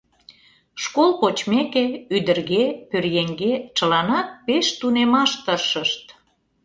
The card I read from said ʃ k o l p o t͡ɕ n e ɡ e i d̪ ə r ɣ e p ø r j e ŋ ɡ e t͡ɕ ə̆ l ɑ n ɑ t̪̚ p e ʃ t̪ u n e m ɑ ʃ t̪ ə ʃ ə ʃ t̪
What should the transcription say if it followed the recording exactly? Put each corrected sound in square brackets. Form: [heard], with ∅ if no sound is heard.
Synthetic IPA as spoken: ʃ k o l p o t͡ɕ [m] e [k] e [y] d̪ ə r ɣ e p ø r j e ŋ ɡ e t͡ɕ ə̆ l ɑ n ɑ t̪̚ p e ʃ t̪ u n e m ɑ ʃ t̪ ə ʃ ə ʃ t̪